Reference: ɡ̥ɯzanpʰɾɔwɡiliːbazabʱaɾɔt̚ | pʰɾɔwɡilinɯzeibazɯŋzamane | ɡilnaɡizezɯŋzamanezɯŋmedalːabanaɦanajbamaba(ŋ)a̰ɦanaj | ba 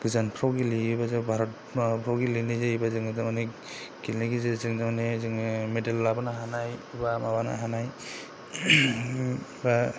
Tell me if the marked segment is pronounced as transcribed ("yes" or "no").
no